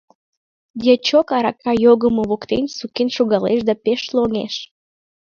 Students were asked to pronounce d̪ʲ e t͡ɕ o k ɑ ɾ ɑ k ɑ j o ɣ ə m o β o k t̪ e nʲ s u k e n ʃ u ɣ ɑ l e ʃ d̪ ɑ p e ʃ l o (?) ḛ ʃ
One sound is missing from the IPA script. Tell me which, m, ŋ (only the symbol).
ŋ